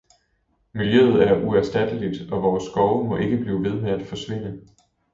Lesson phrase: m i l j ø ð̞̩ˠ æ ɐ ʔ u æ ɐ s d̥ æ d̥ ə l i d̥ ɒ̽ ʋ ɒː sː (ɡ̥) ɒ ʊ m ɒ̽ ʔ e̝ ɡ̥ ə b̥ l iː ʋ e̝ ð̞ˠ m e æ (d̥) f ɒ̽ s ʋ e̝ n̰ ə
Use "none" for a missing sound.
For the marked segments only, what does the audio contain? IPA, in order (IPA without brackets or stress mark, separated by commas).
ɡ̥, d̥